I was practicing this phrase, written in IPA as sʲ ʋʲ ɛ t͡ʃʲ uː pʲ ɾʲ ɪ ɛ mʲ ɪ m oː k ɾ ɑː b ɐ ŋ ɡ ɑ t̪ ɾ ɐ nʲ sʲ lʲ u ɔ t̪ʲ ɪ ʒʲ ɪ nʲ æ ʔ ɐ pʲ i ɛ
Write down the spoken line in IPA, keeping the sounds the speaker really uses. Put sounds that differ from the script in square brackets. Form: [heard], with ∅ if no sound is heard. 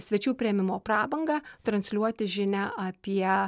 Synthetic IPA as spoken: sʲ ʋʲ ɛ t͡ʃʲ uː pʲ ɾʲ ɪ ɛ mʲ ɪ m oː [p] ɾ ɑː b ɐ ŋ ɡ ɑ t̪ ɾ ɐ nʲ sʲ lʲ u ɔ t̪ʲ ɪ ʒʲ ɪ nʲ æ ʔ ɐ pʲ i ɛ